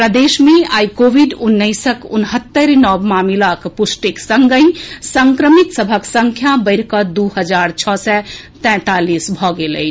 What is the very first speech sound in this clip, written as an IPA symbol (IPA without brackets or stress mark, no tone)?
p